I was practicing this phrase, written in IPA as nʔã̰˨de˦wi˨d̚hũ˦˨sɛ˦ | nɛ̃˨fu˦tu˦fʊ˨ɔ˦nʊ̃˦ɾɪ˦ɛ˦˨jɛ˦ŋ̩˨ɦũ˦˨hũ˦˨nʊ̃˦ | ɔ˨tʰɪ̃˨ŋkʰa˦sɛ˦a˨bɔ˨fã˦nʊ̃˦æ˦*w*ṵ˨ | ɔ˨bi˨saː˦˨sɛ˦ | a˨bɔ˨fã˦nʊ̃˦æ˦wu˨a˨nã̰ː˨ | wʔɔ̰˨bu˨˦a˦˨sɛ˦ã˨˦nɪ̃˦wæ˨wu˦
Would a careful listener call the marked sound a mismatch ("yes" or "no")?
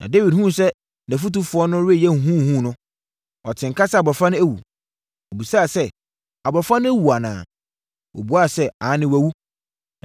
no